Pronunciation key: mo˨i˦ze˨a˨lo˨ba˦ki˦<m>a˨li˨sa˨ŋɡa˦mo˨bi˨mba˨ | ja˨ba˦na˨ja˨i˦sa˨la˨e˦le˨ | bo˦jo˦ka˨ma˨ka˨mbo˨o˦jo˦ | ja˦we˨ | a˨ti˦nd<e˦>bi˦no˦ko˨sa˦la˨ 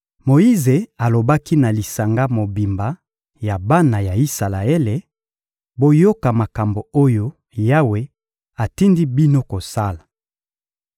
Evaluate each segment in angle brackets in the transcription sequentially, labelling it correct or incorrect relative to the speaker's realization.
incorrect: n, incorrect: i˦

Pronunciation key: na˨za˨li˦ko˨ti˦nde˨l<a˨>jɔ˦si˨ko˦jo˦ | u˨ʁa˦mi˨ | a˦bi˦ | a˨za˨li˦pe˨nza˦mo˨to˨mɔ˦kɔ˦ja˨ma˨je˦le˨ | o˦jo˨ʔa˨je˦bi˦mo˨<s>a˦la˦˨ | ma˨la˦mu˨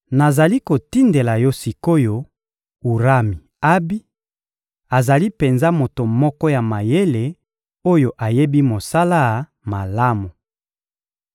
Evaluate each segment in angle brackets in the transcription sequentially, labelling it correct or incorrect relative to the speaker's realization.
correct, correct

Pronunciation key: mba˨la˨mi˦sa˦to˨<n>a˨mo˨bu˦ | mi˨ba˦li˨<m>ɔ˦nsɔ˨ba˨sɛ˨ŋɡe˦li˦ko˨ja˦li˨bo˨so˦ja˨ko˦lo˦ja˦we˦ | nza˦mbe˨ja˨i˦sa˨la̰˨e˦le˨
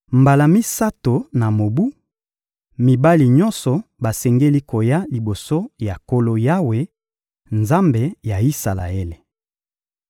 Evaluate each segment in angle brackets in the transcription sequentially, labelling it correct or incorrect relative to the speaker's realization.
correct, incorrect: ɲ

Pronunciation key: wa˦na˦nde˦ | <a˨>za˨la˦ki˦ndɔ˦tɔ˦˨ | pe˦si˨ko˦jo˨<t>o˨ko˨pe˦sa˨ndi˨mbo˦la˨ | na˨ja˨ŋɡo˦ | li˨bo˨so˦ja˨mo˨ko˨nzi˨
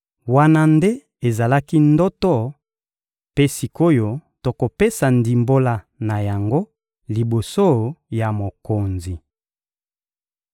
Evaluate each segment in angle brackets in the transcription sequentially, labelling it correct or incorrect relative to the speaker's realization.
incorrect: e˨, correct

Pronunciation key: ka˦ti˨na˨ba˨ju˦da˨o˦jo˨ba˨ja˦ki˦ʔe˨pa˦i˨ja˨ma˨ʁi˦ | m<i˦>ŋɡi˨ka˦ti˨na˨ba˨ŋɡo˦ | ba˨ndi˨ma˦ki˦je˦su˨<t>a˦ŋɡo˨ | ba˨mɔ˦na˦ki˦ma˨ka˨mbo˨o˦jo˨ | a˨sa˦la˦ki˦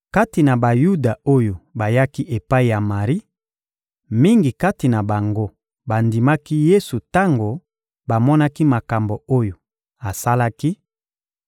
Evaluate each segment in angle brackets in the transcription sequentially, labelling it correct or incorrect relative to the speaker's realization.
correct, correct

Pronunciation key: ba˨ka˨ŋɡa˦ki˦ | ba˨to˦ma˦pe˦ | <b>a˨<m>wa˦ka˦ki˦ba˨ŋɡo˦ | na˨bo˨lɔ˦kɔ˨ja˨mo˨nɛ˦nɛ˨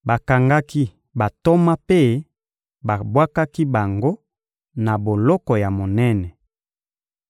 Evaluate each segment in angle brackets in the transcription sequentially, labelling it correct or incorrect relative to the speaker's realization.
correct, incorrect: b

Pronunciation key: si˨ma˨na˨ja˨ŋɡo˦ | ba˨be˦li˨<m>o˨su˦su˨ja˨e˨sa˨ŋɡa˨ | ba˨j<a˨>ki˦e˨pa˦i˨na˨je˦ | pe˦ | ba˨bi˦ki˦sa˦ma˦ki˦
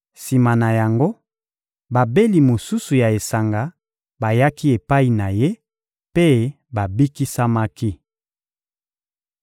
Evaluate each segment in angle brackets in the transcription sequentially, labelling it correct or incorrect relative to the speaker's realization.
correct, incorrect: a˦

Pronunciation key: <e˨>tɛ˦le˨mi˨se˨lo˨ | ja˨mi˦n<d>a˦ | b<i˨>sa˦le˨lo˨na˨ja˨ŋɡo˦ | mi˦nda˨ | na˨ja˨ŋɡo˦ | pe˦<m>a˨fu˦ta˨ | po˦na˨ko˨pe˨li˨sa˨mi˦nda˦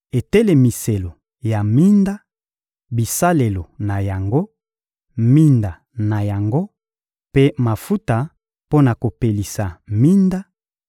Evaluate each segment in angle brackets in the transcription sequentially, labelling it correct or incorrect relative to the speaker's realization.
correct, correct, correct, correct

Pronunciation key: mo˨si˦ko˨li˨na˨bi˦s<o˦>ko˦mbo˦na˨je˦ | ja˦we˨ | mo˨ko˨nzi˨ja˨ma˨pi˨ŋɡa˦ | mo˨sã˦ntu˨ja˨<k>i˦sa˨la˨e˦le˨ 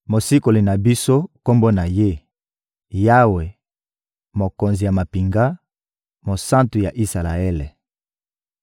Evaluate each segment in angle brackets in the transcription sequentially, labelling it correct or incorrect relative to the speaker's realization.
correct, incorrect: ʔ

